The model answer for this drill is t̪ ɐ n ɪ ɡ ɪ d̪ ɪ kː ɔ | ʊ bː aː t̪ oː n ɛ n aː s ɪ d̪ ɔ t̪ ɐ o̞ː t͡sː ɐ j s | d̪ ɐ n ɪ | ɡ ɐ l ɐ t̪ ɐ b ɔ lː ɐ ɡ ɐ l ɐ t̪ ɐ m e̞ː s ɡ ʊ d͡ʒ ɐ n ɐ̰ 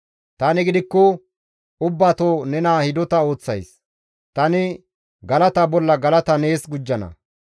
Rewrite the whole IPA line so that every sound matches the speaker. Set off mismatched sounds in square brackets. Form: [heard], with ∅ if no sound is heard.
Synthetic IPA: t̪ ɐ n ɪ ɡ ɪ d̪ ɪ kː ɔ | ʊ bː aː t̪ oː n ɛ n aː [h] ɪ d̪ ɔ t̪ ɐ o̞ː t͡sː ɐ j s | [t̪] ɐ n ɪ | ɡ ɐ l ɐ t̪ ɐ b ɔ lː ɐ ɡ ɐ l ɐ t̪ ɐ [n] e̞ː s ɡ ʊ [d͡ʒː] ɐ n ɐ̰